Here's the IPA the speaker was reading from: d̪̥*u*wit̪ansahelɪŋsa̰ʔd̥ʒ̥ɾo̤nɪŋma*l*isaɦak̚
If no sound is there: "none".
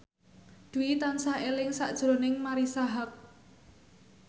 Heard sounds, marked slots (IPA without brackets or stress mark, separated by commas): u, ɾ